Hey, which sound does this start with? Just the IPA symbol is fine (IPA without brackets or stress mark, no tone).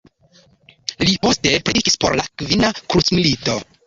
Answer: l